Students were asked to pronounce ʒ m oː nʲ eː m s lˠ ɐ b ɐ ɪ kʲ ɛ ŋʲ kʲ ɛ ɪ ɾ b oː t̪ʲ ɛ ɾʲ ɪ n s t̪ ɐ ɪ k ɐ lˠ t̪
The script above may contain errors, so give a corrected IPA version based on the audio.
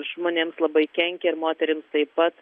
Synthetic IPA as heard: ʒ m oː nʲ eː m s lˠ ɐ b ɐ ɪ kʲ ɛ ŋʲ kʲ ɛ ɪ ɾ m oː t̪ʲ ɛ ɾʲ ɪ m s t̪ ɐ ɪ p ɐ t̪